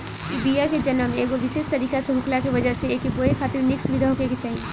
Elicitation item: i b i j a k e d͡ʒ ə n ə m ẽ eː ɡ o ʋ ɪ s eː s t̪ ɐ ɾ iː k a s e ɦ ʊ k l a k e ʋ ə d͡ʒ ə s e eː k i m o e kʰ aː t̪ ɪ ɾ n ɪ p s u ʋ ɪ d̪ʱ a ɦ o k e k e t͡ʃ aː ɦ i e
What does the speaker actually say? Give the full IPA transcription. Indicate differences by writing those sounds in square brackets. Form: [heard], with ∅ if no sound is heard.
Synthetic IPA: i b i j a k e d͡ʒ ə n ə m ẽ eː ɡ o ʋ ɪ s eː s t̪ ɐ ɾ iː k a s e ɦ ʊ k l a k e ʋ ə d͡ʒ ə s e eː k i [b] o e kʰ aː t̪ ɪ ɾ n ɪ [k] s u ʋ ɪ d̪ʱ a ɦ o k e k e t͡ʃ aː ɦ i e

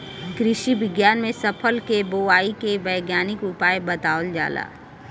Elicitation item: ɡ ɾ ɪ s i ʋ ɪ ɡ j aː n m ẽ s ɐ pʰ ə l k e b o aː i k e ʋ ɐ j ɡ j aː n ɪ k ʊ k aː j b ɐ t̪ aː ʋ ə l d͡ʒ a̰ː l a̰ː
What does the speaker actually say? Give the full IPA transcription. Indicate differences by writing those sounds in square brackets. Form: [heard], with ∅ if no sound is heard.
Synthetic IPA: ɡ ɾ ɪ [ʃ] i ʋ ɪ ɡ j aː n m ẽ s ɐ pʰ ə l k e b o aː i k e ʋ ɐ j ɡ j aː n ɪ k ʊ [p] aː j b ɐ t̪ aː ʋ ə l d͡ʒ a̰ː l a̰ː

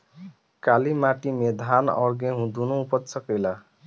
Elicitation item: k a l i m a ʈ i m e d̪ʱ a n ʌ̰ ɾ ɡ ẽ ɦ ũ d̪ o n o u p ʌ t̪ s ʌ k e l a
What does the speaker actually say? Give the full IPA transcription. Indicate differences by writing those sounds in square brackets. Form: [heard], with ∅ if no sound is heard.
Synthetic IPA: k a l i m a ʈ i m e d̪ʱ a n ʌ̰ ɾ ɡ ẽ ɦ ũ d̪ [u] n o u p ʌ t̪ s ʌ k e l a

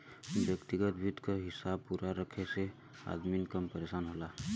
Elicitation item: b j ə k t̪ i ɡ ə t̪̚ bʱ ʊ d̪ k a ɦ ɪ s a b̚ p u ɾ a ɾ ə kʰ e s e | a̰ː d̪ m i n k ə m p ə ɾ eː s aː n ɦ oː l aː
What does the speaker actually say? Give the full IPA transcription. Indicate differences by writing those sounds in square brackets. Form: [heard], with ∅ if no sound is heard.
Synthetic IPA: b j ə k t̪ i ɡ ə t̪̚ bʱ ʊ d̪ k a ɦ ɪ s a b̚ p u ɾ a ɾ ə kʰ e s e | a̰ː d̪ m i n k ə m p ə ɾ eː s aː n ɦ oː l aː

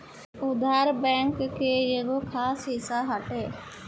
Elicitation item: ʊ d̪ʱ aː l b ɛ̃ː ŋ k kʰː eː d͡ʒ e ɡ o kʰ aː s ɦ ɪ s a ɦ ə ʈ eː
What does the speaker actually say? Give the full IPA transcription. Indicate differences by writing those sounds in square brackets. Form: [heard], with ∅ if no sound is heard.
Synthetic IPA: ʊ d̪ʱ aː [ɾ] b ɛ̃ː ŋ k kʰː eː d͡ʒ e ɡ o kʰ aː s ɦ ɪ s a ɦ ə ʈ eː

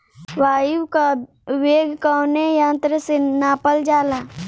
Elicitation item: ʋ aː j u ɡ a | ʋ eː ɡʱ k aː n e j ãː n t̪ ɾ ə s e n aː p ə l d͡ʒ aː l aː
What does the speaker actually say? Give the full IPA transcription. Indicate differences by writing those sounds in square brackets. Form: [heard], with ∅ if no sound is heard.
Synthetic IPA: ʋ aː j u [k] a | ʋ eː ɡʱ k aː n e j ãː n t̪ ɾ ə s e n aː p ə l d͡ʒ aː l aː

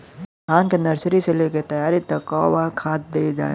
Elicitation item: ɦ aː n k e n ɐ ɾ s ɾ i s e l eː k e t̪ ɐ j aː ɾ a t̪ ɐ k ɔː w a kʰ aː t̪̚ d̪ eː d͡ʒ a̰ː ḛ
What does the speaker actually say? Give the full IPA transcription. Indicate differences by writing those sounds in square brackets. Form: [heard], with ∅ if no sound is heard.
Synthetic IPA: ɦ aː n k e n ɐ ɾ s ɾ i s e l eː k e t̪ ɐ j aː ɾ [i] t̪ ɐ k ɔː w a kʰ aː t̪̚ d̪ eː d͡ʒ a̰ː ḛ

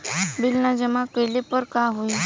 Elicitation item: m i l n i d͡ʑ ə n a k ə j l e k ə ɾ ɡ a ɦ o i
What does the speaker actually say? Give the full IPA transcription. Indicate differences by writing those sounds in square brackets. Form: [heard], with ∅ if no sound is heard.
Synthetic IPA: [b] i l n [a] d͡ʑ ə [m] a k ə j l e [p] ə ɾ [k] a ɦ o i

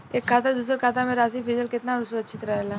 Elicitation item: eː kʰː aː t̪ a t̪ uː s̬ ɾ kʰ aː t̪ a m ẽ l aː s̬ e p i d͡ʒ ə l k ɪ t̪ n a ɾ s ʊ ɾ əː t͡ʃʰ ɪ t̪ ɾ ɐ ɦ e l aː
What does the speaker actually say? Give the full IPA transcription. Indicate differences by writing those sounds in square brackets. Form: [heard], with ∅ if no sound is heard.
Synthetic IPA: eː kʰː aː t̪ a [d̪] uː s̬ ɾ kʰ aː t̪ a m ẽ [ɾ] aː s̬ [i] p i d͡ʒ ə l k ɪ t̪ n a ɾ s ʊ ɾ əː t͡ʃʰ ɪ t̪ ɾ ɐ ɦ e l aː

